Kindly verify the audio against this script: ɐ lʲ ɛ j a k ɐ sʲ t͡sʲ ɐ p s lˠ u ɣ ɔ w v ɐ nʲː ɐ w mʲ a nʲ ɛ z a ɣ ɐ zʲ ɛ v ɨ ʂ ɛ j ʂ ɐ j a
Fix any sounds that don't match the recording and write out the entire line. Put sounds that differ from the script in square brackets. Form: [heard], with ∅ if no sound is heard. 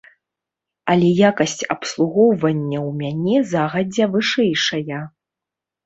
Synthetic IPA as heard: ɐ lʲ ɛ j a k ɐ sʲ t͡sʲ ɐ p s lˠ u ɣ ɔ w v ɐ nʲː ɐ w mʲ a nʲ ɛ z a ɣ ɐ [d͡zʲ] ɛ v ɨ ʂ ɛ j ʂ ɐ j [ɐ]